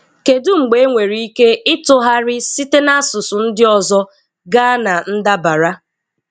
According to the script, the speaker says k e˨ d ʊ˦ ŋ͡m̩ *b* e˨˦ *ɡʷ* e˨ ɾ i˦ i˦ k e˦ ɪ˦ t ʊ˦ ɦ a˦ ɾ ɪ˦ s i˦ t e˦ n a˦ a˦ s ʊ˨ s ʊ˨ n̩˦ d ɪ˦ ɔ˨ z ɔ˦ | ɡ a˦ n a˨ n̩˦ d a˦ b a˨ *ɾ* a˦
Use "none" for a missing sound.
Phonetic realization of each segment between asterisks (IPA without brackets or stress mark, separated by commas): ɡ͡b, ŋʷ, ɾ